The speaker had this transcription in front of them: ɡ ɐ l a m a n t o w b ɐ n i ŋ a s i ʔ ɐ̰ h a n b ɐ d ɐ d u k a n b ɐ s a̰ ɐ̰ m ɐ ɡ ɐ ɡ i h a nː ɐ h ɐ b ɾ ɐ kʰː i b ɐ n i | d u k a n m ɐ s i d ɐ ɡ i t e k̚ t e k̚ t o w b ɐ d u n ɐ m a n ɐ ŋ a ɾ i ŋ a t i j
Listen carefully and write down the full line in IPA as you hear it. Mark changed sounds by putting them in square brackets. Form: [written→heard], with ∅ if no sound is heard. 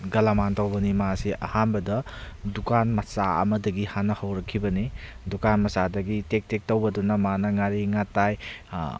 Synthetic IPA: ɡ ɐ l a m a n t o w b ɐ n i [ŋ→m] a s i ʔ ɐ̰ h a n b ɐ d ɐ d u k a n [b→m] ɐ s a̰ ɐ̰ m ɐ [ɡ→d] ɐ ɡ i h a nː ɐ h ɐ [b→w] ɾ ɐ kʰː i b ɐ n i | d u k a n m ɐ s [i→a] d ɐ ɡ i t e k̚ t e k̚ t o w b ɐ d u n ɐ m a n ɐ ŋ a ɾ i ŋ a t [i→a] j